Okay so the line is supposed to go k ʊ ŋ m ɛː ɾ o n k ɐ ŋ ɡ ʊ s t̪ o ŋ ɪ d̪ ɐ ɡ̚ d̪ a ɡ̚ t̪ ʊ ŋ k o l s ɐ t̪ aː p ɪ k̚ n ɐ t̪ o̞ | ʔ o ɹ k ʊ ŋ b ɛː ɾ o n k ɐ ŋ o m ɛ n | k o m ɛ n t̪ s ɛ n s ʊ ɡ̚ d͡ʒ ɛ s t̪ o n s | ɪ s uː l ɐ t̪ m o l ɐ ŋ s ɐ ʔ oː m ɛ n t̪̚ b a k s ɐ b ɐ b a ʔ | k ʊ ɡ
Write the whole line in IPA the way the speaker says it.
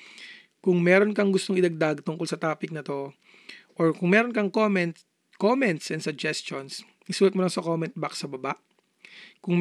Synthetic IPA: k ʊ ŋ m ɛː ɾ o n k ɐ ŋ ɡ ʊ s t̪ o ŋ ɪ d̪ ɐ ɡ̚ d̪ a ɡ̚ t̪ ʊ ŋ k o l s ɐ t̪ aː p ɪ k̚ n ɐ t̪ o̞ | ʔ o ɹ k ʊ ŋ m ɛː ɾ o n k ɐ ŋ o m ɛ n | k o m ɛ n t̪ s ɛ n s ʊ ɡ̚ d͡ʒ ɛ s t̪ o n s | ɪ s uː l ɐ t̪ m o l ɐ ŋ s ɐ k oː m ɛ n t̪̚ b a k s ɐ b ɐ b a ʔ | k ʊ ŋ